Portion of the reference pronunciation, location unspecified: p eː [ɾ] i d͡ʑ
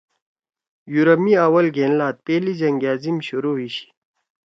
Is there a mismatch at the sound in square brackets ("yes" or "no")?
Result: yes